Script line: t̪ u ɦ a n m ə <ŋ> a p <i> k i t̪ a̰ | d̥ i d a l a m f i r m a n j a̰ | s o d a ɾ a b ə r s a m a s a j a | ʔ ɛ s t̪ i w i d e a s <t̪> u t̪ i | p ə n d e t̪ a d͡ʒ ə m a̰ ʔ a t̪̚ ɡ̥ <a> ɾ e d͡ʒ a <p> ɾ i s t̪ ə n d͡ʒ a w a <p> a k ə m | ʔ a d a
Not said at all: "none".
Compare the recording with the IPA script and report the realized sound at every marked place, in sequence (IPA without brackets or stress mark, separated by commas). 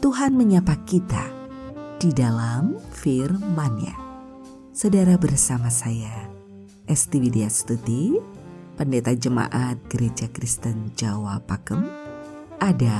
ɲ, a, t̪, ə, k, p